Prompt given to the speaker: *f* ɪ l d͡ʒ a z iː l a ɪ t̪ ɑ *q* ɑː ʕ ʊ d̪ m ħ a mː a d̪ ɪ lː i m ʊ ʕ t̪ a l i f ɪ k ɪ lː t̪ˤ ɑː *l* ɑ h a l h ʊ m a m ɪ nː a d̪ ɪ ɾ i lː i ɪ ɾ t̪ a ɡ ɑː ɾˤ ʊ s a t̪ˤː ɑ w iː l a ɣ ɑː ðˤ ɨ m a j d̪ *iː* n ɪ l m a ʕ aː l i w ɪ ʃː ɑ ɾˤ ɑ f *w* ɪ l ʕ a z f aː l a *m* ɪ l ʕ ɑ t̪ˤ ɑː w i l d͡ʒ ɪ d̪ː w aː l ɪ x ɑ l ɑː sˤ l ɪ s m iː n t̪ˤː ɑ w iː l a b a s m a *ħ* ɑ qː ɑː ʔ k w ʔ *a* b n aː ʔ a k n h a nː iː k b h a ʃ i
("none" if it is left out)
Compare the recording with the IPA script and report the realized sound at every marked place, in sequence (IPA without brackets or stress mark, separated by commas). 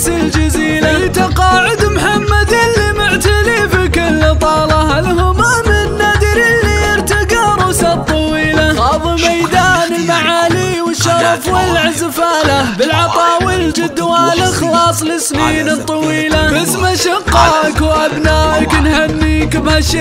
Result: s, q, l, aː, w, b, ʃ, a